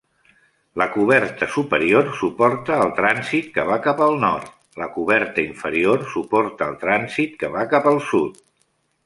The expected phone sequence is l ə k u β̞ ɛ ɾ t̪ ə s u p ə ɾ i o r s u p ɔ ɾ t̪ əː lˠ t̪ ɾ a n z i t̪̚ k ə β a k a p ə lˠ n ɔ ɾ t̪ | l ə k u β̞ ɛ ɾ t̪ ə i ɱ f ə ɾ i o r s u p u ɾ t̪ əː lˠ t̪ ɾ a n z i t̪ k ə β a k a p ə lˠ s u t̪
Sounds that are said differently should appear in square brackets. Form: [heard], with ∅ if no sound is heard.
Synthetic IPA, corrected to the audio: l ə k u β̞ ɛ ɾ t̪ ə s u p ə ɾ i o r s u p ɔ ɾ t̪ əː lˠ t̪ ɾ a n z i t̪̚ k ə β a k a p ə lˠ n ɔ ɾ t̪ | l ə k u β̞ ɛ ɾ t̪ ə i ɱ f ə ɾ i o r s u p [ɔ] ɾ t̪ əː lˠ t̪ ɾ a n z i t̪ k ə β a k a p ə lˠ s u t̪